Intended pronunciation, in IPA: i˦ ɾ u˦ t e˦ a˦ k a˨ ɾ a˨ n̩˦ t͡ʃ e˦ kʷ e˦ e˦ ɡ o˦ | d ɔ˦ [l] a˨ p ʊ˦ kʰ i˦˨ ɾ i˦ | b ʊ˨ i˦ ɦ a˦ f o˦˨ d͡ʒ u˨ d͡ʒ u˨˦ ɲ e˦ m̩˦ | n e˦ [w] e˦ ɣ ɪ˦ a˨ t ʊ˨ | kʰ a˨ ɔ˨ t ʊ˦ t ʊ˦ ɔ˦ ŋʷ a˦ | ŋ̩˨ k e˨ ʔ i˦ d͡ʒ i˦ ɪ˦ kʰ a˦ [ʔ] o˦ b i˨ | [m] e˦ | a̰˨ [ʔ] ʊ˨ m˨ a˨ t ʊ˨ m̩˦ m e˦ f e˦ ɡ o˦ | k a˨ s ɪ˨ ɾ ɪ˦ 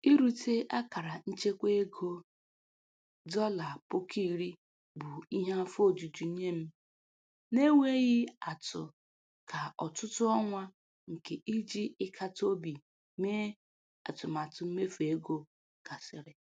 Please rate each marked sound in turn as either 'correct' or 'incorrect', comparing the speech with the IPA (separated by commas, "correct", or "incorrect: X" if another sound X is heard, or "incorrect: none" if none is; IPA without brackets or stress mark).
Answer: correct, correct, incorrect: t, correct, incorrect: t